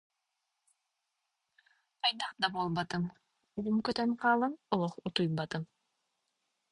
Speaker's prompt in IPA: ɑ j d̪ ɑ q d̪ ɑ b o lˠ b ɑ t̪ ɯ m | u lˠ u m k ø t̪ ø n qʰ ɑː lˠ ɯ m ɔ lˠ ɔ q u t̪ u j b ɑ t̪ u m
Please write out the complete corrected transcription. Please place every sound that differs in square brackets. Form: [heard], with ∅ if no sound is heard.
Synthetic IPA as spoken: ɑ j d̪ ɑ q d̪ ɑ b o lˠ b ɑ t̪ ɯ m | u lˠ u m k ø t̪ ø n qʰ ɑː lˠ ɯ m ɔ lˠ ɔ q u t̪ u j b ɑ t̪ [ɯ] m